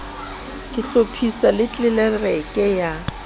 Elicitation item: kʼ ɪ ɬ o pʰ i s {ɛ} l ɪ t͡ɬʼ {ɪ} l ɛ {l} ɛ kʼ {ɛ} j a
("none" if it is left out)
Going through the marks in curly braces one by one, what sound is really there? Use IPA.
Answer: a, ɪ, r, ɛ

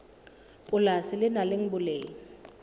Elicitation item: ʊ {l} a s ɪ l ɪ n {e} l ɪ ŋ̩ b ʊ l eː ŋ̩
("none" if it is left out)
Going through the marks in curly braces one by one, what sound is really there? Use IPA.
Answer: l, a

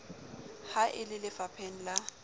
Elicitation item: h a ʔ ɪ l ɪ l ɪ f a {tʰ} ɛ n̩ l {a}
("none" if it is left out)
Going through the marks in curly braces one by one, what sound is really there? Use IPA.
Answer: pʰ, a

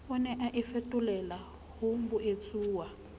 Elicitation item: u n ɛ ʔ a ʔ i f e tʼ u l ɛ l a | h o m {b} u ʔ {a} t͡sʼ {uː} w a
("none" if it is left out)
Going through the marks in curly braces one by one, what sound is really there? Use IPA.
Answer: b, e, uː

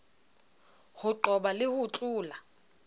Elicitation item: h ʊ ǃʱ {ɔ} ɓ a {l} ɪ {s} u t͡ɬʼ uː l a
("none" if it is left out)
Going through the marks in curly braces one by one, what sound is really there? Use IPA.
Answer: ɔ, l, h

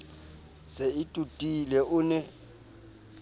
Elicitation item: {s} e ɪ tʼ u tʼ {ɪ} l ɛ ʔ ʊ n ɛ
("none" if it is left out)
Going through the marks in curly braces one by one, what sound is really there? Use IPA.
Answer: s, i

